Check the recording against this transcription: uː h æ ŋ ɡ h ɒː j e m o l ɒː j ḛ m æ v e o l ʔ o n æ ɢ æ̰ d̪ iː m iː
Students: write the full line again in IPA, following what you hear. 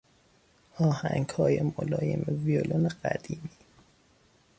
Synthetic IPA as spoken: ɒː h æ ŋ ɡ h ɒː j e m o l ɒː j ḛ m e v i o l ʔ o n e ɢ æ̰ d̪ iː m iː